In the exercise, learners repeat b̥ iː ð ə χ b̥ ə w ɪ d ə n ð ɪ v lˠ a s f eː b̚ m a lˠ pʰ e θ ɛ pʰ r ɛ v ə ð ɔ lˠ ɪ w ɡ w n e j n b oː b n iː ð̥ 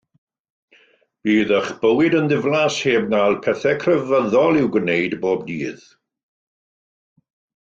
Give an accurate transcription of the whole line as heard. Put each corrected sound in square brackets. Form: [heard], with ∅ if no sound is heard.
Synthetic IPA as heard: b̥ iː ð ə χ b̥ ə w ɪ d ə n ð ɪ v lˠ a s [h] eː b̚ [n] a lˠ pʰ [ɛ] θ ɛ [kʰ] r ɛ v ə ð ɔ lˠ ɪ w ɡ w n e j [d] b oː b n iː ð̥